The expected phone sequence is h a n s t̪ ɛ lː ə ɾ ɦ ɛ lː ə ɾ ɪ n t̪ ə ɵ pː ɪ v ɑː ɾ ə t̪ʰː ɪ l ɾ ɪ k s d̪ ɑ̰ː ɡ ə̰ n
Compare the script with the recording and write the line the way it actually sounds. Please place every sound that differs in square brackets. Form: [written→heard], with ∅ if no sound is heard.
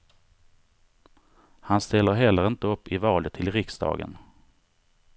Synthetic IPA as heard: h a n s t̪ ɛ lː ə ɾ ɦ ɛ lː ə ɾ ɪ n t̪ ə ɵ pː ɪ v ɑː [ɾ→l] ə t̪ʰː ɪ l ɾ ɪ k s d̪ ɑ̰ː ɡ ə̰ n